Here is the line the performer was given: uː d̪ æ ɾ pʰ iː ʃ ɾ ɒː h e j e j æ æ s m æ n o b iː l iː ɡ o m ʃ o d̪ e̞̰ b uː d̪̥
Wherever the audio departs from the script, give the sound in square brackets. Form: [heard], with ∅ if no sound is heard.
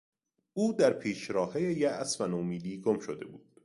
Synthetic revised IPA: uː d̪ æ ɾ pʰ iː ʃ ɾ ɒː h e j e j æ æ s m æ n o [m] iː l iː ɡ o m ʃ o d̪ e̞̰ b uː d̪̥